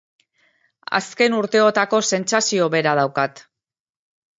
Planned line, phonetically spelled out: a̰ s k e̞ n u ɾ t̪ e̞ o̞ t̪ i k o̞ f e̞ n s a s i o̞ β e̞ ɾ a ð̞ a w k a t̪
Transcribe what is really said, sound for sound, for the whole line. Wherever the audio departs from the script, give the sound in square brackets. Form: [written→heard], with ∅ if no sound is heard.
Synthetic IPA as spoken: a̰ s k e̞ n u ɾ t̪ e̞ o̞ t̪ [i→a] k o̞ [f→s] e̞ n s a s i o̞ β e̞ ɾ a ð̞ a w k a t̪